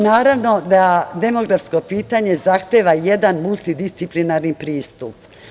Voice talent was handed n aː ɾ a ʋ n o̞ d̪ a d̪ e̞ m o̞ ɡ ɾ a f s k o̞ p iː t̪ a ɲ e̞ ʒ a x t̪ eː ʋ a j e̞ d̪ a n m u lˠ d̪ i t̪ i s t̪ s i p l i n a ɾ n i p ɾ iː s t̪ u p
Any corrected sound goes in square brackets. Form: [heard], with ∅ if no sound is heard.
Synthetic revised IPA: n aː ɾ a ʋ n o̞ d̪ a d̪ e̞ m o̞ ɡ ɾ a f s k o̞ p iː t̪ a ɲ e̞ [z] a x t̪ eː ʋ a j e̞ d̪ a n m u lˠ [t̪] i [d̪] i s t̪ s i p l i n a ɾ n i p ɾ iː s t̪ u p